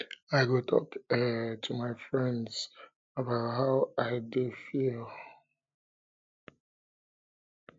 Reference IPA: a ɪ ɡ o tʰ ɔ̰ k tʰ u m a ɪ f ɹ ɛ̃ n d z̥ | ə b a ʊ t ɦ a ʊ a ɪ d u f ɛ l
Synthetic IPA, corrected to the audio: a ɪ ɡ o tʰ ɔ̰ k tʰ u m a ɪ f ɹ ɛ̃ n d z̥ | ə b a ʊ t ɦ a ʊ a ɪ d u f i l